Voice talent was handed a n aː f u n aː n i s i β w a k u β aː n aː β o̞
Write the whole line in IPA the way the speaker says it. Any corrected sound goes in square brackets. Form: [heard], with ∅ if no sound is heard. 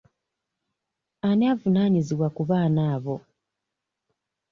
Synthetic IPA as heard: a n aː [v] u n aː [ɲ] i [z] i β w a k u β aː n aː β o̞